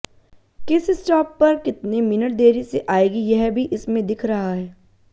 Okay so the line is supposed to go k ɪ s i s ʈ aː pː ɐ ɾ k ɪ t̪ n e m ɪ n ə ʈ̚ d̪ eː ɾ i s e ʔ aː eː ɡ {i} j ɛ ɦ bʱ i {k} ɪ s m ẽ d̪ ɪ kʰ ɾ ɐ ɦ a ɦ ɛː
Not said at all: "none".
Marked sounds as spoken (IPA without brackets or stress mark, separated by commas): i, ʔ